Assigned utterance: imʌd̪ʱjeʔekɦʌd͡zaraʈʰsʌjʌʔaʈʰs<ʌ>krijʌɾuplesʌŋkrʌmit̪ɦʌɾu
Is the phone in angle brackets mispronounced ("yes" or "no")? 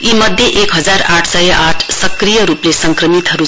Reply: no